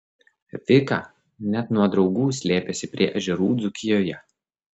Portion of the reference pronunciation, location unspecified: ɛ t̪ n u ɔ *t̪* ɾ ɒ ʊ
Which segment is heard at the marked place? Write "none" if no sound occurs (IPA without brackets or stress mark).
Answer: d̪